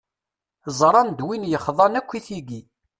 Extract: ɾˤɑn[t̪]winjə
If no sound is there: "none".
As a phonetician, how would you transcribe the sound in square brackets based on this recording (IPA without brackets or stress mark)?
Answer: d̪